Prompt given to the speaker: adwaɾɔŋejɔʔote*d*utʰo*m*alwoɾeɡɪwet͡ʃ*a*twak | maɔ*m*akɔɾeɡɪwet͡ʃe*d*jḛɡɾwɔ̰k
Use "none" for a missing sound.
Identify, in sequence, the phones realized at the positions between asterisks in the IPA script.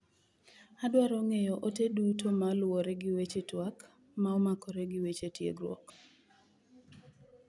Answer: d, m, e, m, t

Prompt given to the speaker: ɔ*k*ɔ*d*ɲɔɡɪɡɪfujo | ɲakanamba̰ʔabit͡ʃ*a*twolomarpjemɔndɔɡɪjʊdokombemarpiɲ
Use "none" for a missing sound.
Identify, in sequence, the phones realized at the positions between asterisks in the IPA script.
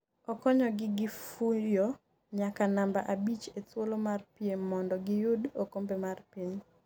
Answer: k, none, e

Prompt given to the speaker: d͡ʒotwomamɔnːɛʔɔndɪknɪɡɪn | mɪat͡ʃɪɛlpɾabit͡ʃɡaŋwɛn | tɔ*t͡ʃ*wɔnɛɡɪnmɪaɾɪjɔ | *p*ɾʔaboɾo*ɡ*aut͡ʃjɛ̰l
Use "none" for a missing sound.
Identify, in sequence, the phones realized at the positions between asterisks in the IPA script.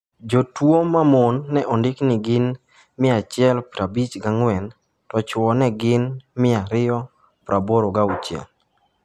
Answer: t͡ʃ, p, ɡ

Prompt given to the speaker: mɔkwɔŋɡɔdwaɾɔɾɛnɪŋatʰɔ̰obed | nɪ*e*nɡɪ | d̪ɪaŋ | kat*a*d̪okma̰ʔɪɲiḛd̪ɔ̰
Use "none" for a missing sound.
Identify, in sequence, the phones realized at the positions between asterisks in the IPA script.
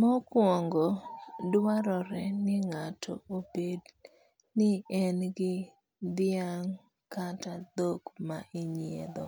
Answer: ɛ, a

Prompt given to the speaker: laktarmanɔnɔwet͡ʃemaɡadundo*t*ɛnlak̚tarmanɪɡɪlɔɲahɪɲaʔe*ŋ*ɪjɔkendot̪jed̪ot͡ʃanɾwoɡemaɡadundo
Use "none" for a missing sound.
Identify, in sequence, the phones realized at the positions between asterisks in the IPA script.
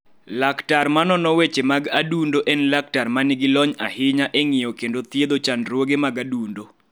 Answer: ʔ, ŋ

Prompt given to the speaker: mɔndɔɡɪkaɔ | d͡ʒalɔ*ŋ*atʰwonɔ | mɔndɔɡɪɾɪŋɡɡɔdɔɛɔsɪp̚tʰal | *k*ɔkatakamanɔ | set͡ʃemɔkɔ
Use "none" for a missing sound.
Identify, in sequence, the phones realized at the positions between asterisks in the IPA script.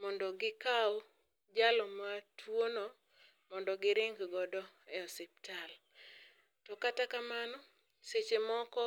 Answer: m, t

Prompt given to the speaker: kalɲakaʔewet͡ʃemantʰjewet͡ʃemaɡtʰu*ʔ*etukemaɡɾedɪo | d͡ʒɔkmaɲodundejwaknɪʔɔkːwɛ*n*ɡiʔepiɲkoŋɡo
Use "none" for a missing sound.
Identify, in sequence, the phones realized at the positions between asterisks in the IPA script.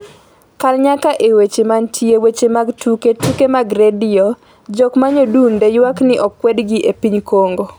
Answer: k, d

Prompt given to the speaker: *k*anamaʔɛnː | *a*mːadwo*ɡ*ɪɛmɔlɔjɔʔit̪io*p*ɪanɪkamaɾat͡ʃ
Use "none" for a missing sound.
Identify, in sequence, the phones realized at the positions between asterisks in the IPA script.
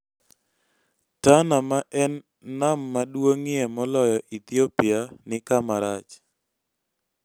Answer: t, a, ŋ, p

